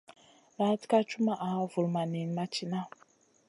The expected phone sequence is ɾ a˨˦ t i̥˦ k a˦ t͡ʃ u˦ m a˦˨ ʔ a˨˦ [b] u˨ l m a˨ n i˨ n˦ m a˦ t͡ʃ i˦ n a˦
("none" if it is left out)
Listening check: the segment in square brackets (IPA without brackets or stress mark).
v